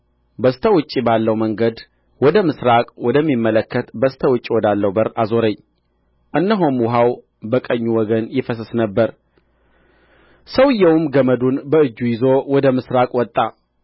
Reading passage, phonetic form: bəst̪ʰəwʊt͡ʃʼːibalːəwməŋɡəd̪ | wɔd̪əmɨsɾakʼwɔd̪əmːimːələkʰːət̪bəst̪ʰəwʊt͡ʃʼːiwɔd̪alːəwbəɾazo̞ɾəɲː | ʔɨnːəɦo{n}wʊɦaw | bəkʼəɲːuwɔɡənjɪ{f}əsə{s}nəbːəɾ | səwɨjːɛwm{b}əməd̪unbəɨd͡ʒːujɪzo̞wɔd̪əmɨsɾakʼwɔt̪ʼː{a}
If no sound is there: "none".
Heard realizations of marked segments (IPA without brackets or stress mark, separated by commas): m, f, s, ɡ, a